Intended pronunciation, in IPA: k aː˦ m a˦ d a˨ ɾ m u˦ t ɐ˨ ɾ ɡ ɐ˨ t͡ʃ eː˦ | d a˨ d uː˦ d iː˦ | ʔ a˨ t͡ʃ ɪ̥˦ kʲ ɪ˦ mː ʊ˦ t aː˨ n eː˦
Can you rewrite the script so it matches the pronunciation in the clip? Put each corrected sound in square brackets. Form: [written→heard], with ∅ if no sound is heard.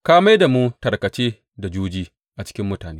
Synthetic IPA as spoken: k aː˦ m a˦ d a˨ [ɾ→∅] m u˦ t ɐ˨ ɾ [ɡ→k] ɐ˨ t͡ʃ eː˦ | d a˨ [d→d͡ʒ] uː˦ [d→d͡ʒ] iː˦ | ʔ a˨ t͡ʃ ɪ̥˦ kʲ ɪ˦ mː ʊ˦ t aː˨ n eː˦